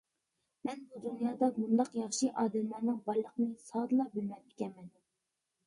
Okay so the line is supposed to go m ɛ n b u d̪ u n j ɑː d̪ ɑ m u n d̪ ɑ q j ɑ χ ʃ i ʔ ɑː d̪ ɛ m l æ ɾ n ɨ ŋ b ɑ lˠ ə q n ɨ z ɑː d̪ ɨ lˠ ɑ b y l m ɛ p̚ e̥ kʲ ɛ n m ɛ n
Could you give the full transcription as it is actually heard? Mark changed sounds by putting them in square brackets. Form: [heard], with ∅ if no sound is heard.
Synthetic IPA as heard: m ɛ n b u d̪ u n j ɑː d̪ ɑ m u n d̪ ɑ q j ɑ χ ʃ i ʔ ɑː d̪ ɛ m l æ ɾ n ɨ ŋ b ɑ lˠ ə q n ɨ [s] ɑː d̪ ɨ lˠ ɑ b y l m ɛ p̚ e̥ kʲ ɛ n m ɛ n